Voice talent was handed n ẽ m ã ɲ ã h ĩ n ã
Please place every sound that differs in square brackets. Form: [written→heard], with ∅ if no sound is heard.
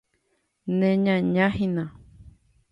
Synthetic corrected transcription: n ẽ [m→ɲ] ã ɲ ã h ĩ n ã